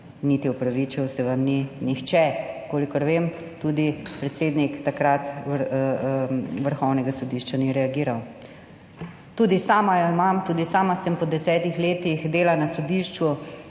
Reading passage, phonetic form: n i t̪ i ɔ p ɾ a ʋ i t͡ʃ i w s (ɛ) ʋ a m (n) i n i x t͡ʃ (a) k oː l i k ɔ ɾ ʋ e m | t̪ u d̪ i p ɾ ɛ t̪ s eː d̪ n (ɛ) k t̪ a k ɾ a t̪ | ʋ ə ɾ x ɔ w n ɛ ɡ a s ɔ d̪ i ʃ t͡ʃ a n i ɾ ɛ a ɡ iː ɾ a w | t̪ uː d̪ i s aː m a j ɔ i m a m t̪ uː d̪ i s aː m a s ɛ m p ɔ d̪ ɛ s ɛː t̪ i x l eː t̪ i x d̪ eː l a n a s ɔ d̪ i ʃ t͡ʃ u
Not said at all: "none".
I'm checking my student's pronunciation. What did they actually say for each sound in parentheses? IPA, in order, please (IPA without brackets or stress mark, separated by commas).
ɛ, n, ɛ, i